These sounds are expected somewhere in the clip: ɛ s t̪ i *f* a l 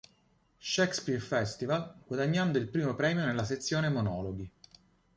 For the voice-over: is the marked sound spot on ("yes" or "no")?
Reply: no